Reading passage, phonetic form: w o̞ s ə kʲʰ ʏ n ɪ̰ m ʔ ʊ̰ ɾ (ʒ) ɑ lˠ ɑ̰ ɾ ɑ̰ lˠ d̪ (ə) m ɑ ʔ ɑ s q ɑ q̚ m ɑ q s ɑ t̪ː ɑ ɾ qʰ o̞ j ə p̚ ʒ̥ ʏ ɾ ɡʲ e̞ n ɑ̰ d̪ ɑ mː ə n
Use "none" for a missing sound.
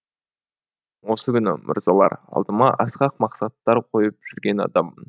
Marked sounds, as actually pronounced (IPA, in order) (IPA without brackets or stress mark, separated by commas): z, ə